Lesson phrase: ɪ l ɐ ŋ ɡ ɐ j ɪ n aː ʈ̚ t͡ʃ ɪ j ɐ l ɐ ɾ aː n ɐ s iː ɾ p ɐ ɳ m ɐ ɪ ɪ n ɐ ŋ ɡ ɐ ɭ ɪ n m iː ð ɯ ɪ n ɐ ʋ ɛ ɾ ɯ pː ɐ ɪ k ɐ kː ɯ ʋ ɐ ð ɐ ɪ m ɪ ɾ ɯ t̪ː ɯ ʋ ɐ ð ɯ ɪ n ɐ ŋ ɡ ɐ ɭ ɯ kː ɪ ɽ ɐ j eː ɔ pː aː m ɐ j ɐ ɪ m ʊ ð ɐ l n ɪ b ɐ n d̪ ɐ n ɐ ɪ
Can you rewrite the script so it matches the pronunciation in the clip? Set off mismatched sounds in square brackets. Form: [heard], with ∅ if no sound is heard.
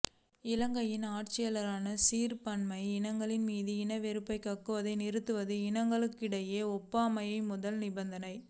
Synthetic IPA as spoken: ɪ l ɐ ŋ ɡ ɐ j ɪ n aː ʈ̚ t͡ʃ ɪ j ɐ l ɐ ɾ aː n ɐ s iː ɾ p ɐ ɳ m ɐ ɪ ɪ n ɐ ŋ ɡ ɐ ɭ ɪ n m iː ð ɯ ɪ n ɐ ʋ ɛ ɾ ɯ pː ɐ ɪ k ɐ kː ɯ ʋ ɐ ð ɐ ɪ [n] ɪ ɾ ɯ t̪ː ɯ ʋ ɐ ð ɯ ɪ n ɐ ŋ ɡ ɐ ɭ ɯ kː ɪ ɽ ɐ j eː ɔ pː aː m ɐ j ɐ ɪ m ʊ ð ɐ l n ɪ b ɐ n d̪ ɐ n ɐ ɪ